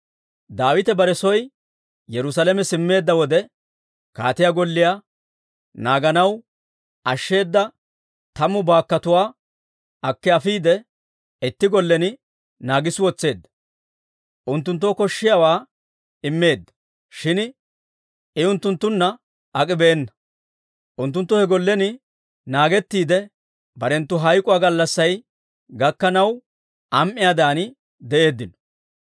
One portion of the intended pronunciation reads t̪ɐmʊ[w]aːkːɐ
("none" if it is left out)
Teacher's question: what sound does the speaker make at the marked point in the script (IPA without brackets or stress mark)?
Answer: b